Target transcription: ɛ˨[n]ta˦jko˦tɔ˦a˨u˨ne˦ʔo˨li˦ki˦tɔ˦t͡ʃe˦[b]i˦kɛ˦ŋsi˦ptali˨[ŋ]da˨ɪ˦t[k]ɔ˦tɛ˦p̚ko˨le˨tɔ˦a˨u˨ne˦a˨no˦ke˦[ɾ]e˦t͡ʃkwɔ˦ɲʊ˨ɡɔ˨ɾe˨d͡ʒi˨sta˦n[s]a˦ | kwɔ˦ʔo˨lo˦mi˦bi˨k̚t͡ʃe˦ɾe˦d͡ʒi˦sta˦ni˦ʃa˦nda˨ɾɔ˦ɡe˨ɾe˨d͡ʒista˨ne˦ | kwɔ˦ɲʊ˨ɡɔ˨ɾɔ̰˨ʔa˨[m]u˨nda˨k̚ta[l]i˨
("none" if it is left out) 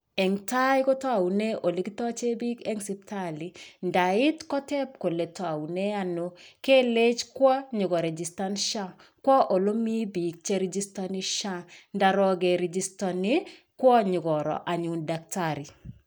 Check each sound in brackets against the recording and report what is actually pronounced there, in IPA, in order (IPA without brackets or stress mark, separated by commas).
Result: ŋ, b, n, k, l, ʃ, ɲ, ɾ